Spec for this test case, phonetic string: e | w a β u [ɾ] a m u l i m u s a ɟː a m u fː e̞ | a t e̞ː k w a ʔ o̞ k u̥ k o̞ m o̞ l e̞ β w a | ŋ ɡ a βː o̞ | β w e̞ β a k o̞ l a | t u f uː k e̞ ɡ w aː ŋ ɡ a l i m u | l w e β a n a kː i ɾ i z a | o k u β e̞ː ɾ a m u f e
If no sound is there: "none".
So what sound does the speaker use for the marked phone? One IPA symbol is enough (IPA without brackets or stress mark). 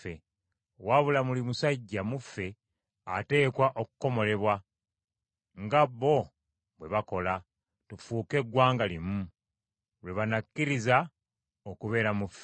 l